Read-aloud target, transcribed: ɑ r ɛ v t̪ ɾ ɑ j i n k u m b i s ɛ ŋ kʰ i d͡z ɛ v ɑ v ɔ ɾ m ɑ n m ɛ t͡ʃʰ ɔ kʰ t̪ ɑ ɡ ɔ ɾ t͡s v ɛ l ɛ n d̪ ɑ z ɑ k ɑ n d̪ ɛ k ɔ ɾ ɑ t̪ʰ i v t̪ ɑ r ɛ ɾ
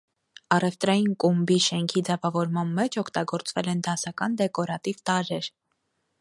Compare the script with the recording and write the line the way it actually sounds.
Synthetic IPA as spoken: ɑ r ɛ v t̪ ɾ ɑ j i n k u m b i ʃ ɛ ŋ kʰ i d͡z ɛ v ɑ v ɔ ɾ m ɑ n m ɛ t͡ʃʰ ɔ kʰ t̪ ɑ ɡ ɔ ɾ t͡s v ɛ l ɛ n d̪ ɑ s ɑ k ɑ n d̪ ɛ k ɔ ɾ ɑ t̪ i v t̪ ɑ ɾ ɛ ɾ